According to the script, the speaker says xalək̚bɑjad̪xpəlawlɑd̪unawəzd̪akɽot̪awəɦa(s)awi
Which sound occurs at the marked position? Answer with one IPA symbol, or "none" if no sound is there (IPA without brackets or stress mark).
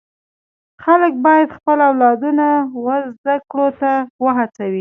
t͡s